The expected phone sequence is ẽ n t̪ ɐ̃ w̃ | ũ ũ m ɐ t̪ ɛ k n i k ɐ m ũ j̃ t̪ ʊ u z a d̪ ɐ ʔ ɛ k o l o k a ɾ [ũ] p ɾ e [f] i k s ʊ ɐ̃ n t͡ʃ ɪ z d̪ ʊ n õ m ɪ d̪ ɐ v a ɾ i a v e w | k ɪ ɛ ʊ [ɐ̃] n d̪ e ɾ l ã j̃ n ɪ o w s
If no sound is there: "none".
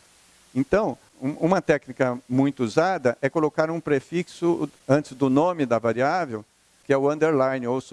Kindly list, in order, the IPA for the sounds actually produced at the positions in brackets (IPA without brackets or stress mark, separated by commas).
ũ, f, ɐ̃